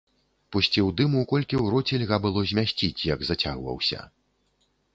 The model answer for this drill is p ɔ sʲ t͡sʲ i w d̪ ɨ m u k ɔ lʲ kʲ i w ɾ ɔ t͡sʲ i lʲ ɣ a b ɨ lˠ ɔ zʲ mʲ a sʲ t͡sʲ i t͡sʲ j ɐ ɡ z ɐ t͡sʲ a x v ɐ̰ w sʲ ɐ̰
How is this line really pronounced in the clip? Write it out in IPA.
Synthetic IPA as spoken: p u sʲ t͡sʲ i w d̪ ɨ m u k ɔ lʲ kʲ i w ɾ ɔ t͡sʲ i lʲ ɣ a b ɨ lˠ ɔ zʲ mʲ a sʲ t͡sʲ i t͡sʲ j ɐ ɡ z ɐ t͡sʲ a ɣ v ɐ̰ w sʲ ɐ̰

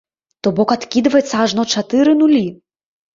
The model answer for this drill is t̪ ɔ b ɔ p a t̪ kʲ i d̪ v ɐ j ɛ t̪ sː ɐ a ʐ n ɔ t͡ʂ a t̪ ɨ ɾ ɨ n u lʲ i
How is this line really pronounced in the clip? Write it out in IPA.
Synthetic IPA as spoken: t̪ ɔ b ɔ k a t̪ kʲ i d̪ v ɐ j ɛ t̪ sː ɐ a ʐ n ɔ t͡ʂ a t̪ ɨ ɾ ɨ n u lʲ i

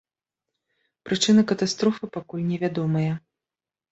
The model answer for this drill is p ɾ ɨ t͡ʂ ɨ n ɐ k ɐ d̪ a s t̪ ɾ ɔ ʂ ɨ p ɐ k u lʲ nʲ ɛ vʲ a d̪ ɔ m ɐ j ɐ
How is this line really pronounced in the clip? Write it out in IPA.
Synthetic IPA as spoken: p ɾ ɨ t͡ʂ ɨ n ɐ k ɐ t̪ a s t̪ ɾ ɔ f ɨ p a k u lʲ nʲ ɛ vʲ a d̪ ɔ m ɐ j ɐ

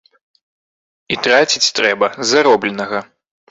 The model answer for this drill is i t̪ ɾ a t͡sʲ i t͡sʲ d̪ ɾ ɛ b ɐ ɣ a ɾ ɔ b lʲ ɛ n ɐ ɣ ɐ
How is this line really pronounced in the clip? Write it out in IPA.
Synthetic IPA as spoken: i t̪ ɾ a t͡sʲ i t͡sʲ t̪ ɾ ɛ b ɐ z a ɾ ɔ b lʲ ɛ n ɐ ɣ ɐ

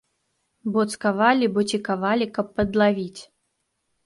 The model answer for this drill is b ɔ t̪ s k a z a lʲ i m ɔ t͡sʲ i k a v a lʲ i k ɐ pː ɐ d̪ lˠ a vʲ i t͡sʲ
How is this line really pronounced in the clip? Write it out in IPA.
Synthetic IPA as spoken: b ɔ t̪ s k a v a lʲ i b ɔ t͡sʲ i k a v a lʲ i k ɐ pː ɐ d̪ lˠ a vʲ i t͡sʲ

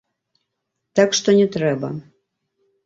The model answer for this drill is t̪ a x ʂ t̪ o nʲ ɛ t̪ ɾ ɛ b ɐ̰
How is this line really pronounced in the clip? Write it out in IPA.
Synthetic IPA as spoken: t̪ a k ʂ t̪ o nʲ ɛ t̪ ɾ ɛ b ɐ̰

